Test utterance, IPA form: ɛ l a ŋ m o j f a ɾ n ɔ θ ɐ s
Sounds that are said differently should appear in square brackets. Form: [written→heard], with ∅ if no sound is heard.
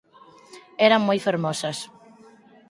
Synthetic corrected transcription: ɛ [l→ɾ] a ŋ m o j f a ɾ [n→m] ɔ [θ→s] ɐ s